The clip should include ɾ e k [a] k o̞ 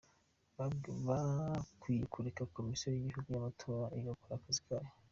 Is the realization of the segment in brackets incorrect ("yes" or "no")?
no